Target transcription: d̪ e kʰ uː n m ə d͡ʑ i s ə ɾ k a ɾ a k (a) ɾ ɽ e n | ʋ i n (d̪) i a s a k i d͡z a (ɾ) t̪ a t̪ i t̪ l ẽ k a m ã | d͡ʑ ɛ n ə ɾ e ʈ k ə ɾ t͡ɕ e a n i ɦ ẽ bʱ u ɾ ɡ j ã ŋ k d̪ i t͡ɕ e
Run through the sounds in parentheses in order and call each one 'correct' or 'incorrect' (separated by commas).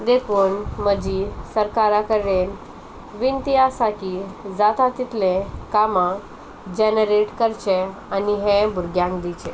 incorrect, incorrect, incorrect